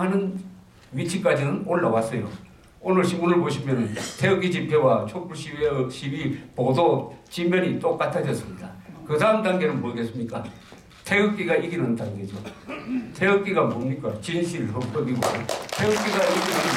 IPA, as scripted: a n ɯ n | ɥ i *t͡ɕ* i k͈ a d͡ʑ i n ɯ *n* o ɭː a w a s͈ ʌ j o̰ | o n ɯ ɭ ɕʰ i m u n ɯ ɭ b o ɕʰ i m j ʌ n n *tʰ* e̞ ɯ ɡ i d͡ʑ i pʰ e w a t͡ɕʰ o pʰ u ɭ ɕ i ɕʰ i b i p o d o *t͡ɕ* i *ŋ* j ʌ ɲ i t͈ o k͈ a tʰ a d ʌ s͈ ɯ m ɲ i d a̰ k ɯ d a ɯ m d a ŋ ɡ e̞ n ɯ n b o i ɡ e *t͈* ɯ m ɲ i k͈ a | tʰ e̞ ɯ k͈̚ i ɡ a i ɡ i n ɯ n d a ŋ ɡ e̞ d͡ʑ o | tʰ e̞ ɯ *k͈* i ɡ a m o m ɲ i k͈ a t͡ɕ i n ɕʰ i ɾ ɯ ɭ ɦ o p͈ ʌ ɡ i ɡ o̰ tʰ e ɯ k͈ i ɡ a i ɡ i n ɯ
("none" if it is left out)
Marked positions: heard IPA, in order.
t͡ɕʰ, n, tʰ, t͡ɕ, m, s͈, k͈

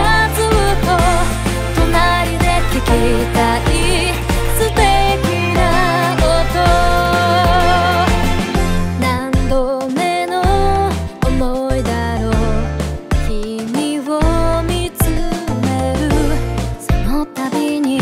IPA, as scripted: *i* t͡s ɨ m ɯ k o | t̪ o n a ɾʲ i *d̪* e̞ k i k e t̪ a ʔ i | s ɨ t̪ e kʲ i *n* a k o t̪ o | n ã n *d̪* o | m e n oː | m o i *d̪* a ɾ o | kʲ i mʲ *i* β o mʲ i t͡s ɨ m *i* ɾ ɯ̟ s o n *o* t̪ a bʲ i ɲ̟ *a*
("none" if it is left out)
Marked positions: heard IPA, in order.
a, d̪, n, d̪, d̪, i, e, o, i

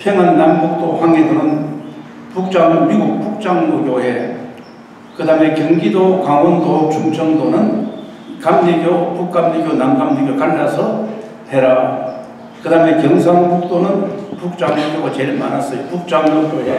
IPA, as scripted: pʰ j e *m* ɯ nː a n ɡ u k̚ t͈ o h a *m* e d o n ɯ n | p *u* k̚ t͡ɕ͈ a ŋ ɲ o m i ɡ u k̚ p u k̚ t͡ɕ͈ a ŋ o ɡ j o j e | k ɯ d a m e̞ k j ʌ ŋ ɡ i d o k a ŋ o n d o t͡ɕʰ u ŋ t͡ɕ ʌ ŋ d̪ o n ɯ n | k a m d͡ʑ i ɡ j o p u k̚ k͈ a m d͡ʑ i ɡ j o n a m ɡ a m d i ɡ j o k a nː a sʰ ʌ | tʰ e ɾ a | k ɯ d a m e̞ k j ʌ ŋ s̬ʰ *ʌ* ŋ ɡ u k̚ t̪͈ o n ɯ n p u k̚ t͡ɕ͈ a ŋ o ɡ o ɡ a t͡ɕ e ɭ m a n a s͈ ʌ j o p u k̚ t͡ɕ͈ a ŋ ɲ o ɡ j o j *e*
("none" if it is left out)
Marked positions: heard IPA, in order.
ŋ, ŋ, u, a, e

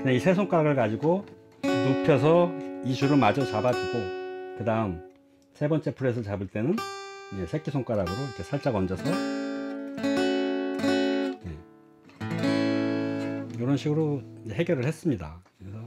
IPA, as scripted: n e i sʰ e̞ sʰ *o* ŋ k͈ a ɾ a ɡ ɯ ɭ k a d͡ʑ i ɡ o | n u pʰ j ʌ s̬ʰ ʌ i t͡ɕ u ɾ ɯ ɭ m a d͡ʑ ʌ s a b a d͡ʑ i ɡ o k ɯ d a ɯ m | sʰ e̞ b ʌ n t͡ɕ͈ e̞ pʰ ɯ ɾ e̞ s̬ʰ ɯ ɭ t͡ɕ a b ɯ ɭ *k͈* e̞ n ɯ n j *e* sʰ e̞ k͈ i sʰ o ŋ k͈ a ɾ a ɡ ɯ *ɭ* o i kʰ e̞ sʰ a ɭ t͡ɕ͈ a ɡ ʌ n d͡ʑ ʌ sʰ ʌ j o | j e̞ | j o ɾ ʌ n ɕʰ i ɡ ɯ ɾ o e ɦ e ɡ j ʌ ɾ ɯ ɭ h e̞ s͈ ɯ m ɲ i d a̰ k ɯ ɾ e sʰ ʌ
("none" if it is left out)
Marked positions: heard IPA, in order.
o, t͈, e, ɾ

